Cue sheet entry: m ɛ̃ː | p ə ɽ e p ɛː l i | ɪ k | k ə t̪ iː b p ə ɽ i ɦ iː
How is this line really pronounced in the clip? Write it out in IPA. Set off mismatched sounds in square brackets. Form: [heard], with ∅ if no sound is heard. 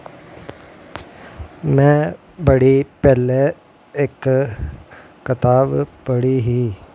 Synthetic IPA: m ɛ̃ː | [b] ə ɽ [i] p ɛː l [e] | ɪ k | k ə t̪ [aː] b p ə ɽ i ɦ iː